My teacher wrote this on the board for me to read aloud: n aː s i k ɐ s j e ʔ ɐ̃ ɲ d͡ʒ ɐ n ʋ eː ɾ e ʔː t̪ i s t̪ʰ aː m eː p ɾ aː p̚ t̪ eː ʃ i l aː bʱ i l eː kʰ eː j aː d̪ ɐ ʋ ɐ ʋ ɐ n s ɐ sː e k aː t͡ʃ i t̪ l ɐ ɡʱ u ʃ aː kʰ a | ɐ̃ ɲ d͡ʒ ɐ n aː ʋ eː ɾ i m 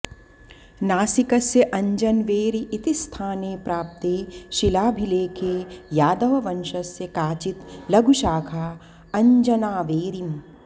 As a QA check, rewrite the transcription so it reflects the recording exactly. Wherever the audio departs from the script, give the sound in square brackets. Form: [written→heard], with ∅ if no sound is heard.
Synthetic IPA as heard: n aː s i k ɐ s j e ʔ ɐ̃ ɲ d͡ʒ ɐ n ʋ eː ɾ [e→i] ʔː t̪ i s t̪ʰ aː [m→n] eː p ɾ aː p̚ t̪ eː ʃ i l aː bʱ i l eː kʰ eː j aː d̪ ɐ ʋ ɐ ʋ ɐ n [s→ʃ] ɐ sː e k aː t͡ʃ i t̪ l ɐ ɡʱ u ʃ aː kʰ a | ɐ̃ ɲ d͡ʒ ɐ n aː ʋ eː ɾ i m